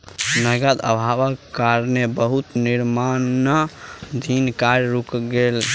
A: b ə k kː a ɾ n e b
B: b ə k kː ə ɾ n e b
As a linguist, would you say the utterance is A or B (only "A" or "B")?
A